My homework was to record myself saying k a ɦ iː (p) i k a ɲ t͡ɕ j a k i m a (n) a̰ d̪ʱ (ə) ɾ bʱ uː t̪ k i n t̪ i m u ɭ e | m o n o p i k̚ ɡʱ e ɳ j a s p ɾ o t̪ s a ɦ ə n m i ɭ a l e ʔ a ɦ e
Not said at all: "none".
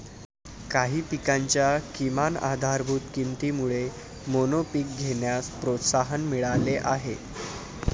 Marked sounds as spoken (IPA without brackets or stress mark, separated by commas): p, n, a